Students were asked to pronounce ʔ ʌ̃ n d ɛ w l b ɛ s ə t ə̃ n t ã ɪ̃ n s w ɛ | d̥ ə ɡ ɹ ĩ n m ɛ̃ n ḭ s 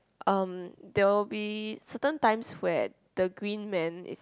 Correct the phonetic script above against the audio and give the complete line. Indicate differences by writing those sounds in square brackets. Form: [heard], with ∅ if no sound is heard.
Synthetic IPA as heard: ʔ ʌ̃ [m] d ɛ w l b [i] s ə t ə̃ n t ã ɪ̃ [m] s w ɛ | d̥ ə ɡ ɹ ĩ n m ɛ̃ n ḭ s

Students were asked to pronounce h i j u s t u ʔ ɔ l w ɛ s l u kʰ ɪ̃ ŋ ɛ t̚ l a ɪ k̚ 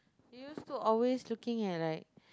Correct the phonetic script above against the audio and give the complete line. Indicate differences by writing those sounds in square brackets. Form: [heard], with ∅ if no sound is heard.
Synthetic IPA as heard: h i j u s t u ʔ ɔ l w [e] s l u [k] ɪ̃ ŋ ɛ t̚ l a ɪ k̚

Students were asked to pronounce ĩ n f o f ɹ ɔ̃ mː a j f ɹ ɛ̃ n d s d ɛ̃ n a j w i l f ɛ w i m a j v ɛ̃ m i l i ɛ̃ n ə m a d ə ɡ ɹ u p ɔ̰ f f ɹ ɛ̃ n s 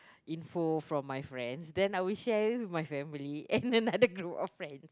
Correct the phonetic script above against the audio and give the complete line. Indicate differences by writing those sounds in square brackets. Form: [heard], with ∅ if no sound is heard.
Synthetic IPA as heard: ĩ n f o f ɹ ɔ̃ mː a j f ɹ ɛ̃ n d s d ɛ̃ n a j w i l [ʃ] ɛ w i m a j [f] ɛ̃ m i l i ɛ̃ n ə [n] a d ə ɡ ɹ u p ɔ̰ f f ɹ ɛ̃ n s

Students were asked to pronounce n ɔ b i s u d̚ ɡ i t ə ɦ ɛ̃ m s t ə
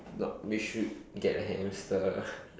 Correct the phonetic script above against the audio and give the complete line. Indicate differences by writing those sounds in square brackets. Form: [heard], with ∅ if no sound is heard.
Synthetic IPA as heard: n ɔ [w] i [ʃ] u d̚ ɡ [ɛ] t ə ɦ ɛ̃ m s t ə

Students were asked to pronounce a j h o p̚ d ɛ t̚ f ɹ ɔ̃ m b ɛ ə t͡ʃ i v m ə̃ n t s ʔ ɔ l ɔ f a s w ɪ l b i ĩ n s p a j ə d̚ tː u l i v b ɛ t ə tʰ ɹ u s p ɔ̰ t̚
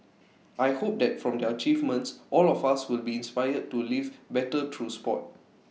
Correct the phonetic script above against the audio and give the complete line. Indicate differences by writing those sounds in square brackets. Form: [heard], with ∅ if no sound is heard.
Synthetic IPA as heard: a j h o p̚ d ɛ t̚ f ɹ ɔ̃ m [d] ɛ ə t͡ʃ i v m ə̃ n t s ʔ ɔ l ɔ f a s w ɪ l b i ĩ n s p a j ə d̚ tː u l i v b ɛ t ə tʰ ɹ u s p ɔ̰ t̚

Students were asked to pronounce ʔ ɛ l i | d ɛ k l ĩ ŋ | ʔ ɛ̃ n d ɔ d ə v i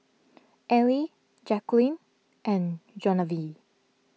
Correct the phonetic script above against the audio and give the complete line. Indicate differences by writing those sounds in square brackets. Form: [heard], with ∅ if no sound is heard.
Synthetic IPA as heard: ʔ ɛ l i | [d͡ʒ] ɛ k l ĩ [n] | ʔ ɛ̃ n [d͡ʒ] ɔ [n] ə v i

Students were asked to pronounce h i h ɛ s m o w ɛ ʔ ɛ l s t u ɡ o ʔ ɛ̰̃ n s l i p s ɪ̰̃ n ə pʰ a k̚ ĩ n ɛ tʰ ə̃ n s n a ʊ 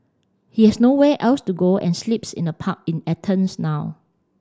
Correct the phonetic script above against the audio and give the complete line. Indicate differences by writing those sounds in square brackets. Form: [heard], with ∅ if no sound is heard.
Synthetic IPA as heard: h i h ɛ s [n] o w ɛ ʔ ɛ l s t u ɡ o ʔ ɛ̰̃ n s l i p s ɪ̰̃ n ə pʰ a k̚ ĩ n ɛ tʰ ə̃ n s n a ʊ

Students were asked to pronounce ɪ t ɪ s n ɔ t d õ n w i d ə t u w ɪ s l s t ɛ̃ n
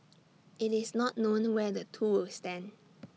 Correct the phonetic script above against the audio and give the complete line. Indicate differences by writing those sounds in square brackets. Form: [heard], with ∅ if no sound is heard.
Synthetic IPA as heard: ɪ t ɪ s n ɔ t [n] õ n w [ɛ] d ə [tʰ] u w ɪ [∅] l s t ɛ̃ n

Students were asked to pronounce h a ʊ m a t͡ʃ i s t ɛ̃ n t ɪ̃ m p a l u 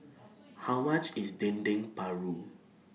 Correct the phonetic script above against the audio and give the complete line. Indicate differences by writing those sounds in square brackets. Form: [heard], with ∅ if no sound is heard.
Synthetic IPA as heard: h a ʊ m a t͡ʃ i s [d] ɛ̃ n [d] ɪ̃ [ŋ] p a [ɹ] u

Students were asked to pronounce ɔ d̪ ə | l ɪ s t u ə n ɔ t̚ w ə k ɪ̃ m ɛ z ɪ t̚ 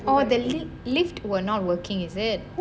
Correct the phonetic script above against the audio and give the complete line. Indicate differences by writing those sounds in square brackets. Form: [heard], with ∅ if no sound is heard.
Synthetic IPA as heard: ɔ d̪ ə | l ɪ [f] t [w] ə n ɔ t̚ w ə k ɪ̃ [ŋ] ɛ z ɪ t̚

